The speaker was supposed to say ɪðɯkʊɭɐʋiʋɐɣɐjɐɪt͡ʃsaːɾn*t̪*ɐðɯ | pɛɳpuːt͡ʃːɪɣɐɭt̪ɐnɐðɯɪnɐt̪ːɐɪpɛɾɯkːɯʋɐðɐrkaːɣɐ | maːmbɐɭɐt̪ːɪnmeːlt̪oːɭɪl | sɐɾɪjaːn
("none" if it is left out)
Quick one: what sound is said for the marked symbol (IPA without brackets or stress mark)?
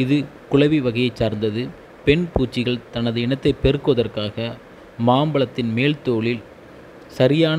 d̪